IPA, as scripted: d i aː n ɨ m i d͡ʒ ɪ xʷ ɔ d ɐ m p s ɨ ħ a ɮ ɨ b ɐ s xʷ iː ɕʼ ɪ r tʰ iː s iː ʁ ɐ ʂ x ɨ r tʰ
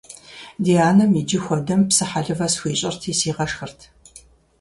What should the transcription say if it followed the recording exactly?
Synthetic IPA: d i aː n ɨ m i d͡ʒ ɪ xʷ ɔ d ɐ m p s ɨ ħ a ɮ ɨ v ɐ s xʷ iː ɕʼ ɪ r tʰ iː s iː ʁ ɐ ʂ x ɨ r tʰ